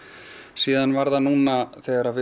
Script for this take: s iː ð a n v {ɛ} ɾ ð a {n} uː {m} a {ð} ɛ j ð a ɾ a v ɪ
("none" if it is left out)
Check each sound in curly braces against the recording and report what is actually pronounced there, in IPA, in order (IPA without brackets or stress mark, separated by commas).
a, n, n, θ